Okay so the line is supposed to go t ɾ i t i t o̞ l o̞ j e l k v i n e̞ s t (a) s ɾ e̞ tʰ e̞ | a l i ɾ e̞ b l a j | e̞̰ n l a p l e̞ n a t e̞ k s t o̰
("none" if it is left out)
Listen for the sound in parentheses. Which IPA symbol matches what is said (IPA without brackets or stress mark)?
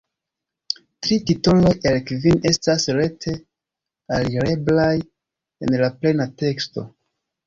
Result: a